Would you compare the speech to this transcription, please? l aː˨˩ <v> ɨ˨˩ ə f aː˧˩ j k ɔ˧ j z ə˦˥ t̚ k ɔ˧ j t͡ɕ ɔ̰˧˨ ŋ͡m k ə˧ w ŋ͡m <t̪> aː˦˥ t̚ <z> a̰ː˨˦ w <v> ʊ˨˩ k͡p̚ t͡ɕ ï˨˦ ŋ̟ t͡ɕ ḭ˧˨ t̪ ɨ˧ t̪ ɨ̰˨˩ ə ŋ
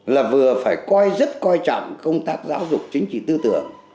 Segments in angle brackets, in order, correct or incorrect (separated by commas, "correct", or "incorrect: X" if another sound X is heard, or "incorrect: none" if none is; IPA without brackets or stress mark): correct, correct, correct, incorrect: z